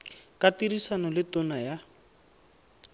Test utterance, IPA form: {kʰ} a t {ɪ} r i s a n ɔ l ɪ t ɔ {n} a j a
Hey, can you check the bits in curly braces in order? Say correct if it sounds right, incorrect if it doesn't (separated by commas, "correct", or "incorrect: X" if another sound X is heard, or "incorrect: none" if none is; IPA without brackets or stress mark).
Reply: incorrect: k, incorrect: i, correct